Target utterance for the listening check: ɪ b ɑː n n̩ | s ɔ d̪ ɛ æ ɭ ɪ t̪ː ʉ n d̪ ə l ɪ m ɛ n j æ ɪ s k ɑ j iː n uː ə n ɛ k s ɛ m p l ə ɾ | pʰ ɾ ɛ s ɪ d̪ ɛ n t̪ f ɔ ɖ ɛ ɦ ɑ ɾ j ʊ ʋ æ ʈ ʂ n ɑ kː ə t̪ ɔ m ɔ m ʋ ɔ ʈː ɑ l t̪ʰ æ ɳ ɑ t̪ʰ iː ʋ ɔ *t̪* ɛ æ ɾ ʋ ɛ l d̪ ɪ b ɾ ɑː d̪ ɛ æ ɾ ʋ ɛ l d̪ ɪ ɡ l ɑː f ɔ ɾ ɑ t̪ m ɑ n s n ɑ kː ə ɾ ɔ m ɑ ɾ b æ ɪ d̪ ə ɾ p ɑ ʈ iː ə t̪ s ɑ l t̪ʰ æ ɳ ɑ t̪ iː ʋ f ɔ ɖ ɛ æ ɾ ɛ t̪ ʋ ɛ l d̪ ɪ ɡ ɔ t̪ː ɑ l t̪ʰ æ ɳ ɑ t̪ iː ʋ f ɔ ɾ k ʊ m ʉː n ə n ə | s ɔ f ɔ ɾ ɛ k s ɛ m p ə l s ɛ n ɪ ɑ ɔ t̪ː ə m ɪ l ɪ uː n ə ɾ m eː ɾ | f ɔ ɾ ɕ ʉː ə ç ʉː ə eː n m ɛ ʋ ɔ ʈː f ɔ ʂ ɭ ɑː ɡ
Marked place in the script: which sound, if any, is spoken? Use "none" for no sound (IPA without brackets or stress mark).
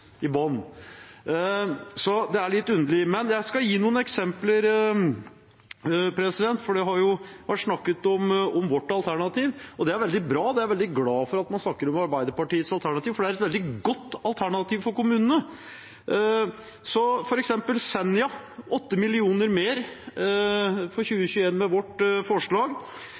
d̪